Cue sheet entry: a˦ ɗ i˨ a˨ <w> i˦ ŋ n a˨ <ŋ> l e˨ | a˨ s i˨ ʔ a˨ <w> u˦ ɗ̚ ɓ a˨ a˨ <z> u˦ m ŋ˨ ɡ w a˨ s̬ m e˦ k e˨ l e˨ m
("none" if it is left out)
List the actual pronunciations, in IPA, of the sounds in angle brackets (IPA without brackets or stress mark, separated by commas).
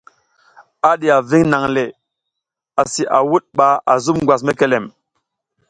v, ŋ, w, z